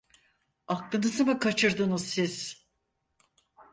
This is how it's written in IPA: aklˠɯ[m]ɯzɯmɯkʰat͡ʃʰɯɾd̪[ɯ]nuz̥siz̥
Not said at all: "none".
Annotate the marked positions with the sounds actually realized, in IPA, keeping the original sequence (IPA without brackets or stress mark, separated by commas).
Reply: n, ɯ